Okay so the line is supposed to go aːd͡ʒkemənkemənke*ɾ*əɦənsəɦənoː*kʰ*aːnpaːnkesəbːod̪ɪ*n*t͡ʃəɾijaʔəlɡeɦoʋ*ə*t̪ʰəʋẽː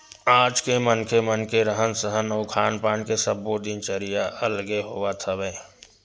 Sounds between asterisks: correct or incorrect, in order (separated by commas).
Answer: correct, correct, correct, incorrect